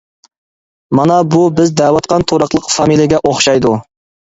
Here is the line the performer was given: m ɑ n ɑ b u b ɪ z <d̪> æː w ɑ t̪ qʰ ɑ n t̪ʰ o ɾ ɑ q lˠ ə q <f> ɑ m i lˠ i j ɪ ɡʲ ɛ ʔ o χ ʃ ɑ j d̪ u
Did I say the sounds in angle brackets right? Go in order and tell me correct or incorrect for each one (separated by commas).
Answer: correct, correct